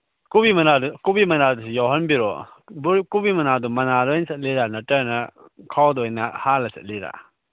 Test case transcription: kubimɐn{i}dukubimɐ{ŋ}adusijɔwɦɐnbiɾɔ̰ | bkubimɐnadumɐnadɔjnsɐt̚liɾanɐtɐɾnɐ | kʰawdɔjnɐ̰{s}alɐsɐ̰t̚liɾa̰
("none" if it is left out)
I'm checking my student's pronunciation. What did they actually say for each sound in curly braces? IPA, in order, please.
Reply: a, n, h

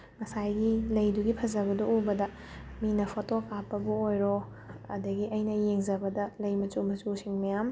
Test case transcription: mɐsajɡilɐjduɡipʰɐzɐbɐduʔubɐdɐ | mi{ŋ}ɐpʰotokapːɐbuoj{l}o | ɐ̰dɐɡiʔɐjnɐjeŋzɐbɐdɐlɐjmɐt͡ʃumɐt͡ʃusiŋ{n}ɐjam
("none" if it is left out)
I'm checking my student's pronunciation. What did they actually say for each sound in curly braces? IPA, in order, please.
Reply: n, ɾ, m

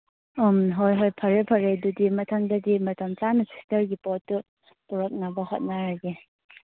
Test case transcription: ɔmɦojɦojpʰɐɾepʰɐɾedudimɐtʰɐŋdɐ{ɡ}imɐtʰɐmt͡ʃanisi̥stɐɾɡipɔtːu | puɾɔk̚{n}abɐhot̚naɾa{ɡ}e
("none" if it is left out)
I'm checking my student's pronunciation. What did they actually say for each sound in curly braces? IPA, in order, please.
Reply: d, n, ɡ

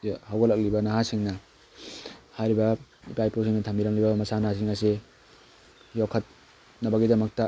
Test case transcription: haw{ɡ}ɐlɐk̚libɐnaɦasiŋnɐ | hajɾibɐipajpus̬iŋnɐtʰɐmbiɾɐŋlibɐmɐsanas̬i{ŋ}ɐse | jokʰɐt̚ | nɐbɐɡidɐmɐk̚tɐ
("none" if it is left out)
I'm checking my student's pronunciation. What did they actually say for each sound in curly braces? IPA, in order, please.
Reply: ɡ, ŋ

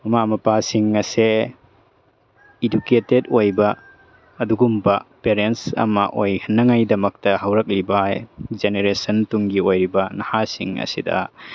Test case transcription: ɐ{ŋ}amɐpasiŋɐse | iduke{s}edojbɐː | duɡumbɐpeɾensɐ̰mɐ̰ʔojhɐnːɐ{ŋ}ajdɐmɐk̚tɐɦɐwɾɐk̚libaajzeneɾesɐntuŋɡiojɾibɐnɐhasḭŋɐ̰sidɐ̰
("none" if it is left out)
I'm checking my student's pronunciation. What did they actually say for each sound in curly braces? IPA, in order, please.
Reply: m, t, ŋ

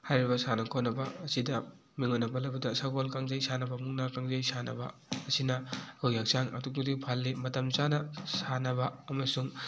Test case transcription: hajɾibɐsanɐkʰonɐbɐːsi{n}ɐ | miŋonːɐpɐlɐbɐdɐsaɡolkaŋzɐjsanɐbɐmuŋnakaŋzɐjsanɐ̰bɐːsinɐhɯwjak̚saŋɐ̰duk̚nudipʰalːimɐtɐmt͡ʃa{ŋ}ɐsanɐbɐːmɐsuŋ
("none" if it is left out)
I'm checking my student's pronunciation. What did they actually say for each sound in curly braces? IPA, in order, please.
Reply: d, n

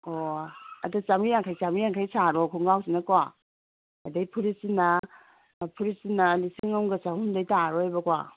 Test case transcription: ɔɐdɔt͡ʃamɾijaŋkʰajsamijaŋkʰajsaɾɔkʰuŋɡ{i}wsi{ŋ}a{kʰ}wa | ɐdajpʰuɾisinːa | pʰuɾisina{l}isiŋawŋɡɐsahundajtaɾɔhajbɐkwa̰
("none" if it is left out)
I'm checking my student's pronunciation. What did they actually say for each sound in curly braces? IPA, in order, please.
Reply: a, n, k, l

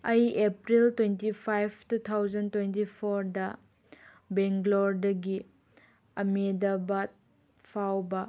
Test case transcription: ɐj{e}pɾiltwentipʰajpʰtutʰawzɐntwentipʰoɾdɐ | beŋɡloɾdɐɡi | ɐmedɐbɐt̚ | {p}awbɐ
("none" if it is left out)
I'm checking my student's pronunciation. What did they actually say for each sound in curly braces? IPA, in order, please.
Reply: e, pʰ

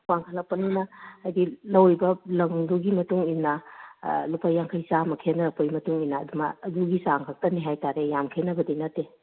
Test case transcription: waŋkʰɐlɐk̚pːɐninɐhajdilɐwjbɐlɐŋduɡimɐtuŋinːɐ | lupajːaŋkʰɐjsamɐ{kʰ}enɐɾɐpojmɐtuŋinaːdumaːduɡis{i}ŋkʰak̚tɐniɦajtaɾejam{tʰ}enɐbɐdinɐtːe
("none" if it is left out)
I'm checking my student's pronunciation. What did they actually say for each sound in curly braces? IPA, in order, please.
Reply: kʰ, a, kʰ

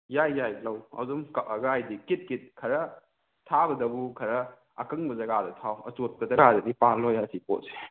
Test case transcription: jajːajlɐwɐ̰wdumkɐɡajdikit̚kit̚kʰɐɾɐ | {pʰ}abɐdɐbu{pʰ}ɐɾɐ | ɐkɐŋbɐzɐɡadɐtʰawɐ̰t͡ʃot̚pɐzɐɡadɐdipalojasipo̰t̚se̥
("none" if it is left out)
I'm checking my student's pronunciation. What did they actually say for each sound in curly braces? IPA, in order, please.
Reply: tʰ, kʰ

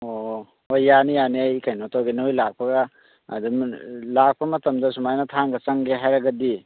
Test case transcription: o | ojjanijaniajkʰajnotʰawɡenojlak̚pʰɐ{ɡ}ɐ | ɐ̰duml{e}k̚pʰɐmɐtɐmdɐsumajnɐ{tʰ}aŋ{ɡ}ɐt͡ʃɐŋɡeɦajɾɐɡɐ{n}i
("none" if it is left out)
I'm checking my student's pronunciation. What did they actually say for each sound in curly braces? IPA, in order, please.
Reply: ɡ, a, tʰ, ɡ, d

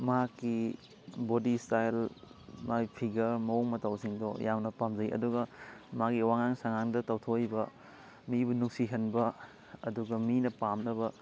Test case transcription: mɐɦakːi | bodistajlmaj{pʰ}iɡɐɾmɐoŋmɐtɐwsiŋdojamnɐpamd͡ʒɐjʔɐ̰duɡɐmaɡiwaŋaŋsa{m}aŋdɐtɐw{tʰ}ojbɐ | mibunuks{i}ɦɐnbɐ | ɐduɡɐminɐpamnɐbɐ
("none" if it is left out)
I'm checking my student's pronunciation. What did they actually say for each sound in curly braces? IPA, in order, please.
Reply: pʰ, ŋ, tʰ, i

